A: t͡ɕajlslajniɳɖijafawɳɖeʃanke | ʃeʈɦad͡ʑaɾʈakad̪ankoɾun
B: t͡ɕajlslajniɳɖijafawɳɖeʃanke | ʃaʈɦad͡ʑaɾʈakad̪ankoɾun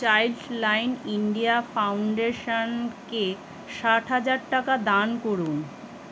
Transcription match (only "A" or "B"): B